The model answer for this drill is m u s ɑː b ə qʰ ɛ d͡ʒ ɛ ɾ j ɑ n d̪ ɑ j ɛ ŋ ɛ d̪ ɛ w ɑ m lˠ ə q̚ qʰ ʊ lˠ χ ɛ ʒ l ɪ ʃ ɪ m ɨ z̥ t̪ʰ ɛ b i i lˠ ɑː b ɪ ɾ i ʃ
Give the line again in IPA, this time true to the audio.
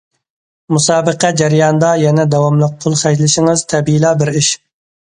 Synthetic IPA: m u s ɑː b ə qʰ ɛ d͡ʒ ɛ ɾ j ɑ n d̪ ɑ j ɛ n ɛ d̪ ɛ w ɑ m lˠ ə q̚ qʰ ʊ lˠ χ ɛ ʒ l ɪ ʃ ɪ ŋ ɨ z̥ t̪ʰ ɛ b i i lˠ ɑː b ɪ ɾ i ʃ